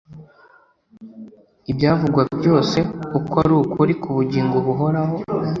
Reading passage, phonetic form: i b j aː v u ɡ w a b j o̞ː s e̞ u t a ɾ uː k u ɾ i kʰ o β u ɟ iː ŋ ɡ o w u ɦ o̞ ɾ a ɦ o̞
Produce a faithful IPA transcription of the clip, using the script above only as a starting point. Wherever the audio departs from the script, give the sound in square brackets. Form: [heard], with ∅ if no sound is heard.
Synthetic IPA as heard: i b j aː v u ɡ w a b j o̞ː s e̞ u [k] a ɾ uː k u ɾ i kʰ [u] β u ɟ iː ŋ ɡ o [β] u ɦ o̞ ɾ a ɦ o̞